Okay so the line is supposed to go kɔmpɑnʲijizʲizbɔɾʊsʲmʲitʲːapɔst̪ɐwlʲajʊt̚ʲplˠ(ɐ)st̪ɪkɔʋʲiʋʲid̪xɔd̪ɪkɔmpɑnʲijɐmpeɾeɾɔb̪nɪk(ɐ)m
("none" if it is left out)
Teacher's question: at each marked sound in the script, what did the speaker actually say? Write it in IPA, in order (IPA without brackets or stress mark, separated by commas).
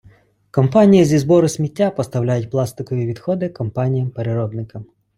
ɑ, ɐ